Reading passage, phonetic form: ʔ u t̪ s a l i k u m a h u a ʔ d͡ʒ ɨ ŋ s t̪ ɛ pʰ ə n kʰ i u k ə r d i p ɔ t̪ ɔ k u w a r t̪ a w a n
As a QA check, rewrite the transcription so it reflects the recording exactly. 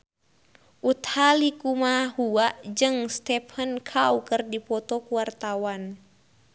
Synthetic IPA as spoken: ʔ u t̪ h a l i k u m a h u a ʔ d͡ʒ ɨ ŋ s t̪ ɛ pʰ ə n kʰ a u k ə r d i p ɔ t̪ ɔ k u w a r t̪ a w a n

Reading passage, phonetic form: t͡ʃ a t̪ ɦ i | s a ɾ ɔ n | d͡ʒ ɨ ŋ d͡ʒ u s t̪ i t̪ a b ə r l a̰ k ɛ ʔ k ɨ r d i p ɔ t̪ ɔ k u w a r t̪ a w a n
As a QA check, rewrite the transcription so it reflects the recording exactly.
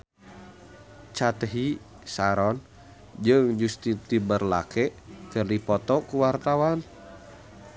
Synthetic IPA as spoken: t͡ʃ a t̪ ɦ i | s a ɾ ɔ n | d͡ʒ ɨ ŋ d͡ʒ u s t̪ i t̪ i b ə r l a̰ k ɛ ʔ k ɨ r d i p ɔ t̪ ɔ k u w a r t̪ a w a n

